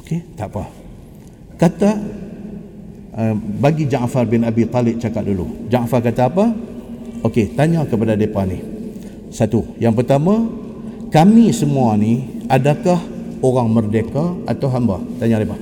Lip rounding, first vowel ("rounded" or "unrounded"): rounded